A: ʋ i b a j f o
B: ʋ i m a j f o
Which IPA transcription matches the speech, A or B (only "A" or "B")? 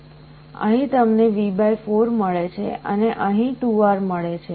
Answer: A